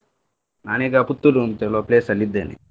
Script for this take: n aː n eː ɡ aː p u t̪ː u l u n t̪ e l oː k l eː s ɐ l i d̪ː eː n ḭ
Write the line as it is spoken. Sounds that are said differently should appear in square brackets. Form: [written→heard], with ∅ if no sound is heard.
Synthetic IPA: n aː n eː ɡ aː p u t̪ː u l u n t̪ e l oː [k→p] l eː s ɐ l i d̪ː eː n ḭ